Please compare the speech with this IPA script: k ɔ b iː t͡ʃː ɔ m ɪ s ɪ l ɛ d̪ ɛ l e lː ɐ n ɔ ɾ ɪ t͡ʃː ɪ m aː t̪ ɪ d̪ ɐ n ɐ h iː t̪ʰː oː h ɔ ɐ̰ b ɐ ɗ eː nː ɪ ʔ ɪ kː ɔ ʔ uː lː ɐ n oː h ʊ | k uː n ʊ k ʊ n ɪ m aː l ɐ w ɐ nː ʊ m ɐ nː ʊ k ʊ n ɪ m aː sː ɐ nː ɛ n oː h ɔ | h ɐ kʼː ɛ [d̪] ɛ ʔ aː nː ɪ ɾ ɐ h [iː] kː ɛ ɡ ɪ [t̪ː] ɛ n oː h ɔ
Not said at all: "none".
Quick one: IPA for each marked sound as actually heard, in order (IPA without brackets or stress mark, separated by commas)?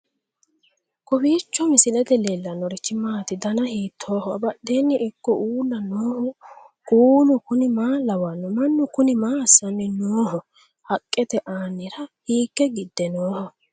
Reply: t̪, iː, d̪ː